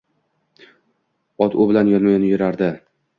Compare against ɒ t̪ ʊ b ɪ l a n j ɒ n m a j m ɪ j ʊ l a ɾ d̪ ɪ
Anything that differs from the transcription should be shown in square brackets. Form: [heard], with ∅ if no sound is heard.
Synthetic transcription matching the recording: ɒ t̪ ʊ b ɪ l a n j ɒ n m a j [n] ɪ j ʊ [ɾ] a ɾ d̪ ɪ